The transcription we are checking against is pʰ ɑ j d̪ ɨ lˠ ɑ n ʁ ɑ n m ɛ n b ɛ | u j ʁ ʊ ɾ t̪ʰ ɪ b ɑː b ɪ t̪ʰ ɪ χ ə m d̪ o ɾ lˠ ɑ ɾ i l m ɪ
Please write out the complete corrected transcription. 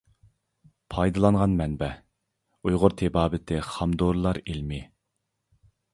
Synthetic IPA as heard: pʰ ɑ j d̪ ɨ lˠ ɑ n ʁ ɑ n m ɛ n b ɛ | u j ʁ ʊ ɾ t̪ʰ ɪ b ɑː b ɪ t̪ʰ ɪ χ ɑ m d̪ o ɾ lˠ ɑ ɾ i l m ɪ